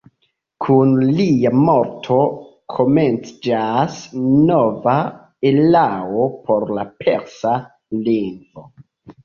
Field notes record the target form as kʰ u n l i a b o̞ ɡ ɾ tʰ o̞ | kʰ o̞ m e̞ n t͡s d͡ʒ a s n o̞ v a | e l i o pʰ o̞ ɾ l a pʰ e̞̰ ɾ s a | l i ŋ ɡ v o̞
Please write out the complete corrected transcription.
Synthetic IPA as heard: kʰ u n l i a m o̞ ɾ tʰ o̞ | kʰ o̞ m e̞ n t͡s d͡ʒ a s n o̞ v a | e l a o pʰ o̞ ɾ l a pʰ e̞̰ ɾ s a | l i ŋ ɡ v o̞

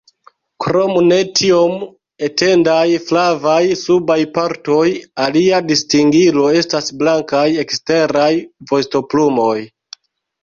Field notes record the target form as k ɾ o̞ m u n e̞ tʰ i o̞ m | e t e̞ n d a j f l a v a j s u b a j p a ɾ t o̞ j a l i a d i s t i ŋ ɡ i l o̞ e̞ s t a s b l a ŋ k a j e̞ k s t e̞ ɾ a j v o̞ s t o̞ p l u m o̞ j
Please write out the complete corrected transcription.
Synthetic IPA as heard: k ɾ o̞ m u n e̞ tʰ i o̞ m | e t e̞ n d a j f l a v a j s u b a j p a ɾ t o̞ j a l i a d i s t i ŋ ɡ i l o̞ e̞ s t a s b l a ŋ k a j e̞ k s t e̞ ɾ a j v o̞ s t o̞ p l u m o̞ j

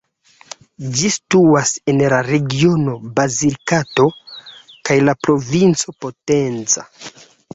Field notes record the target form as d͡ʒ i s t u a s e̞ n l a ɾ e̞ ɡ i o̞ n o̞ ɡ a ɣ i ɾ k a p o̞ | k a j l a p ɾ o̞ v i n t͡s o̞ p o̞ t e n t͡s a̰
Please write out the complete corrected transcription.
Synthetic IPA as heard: d͡ʒ i s t u a s e̞ n l a ɾ e̞ ɡ i o̞ n o̞ b a z i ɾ k a t o̞ | k a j l a p ɾ o̞ v i n t͡s o̞ p o̞ t e n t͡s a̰

